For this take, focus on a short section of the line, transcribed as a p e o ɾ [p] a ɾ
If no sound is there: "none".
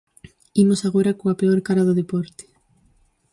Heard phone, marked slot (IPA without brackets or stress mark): k